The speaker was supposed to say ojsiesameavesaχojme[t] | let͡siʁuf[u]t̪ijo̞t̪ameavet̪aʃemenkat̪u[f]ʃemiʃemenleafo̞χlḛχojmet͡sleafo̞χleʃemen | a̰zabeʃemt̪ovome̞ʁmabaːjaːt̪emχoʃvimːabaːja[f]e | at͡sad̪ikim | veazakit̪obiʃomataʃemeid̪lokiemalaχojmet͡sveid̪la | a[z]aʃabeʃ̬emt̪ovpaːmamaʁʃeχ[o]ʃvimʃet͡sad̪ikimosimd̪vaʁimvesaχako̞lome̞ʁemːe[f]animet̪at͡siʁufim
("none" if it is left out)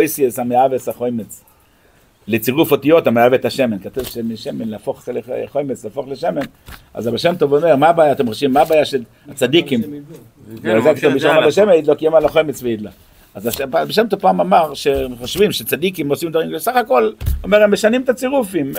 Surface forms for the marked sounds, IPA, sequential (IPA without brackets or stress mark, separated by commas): t͡s, o, v, ʃ, z, o, ʃ